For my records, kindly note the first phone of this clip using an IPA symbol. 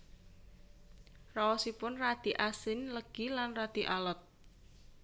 r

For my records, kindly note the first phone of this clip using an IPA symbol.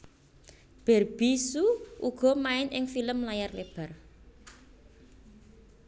b̥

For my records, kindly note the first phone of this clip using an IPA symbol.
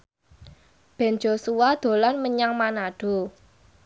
b̥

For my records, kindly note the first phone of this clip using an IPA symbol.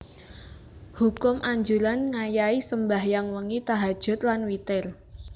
h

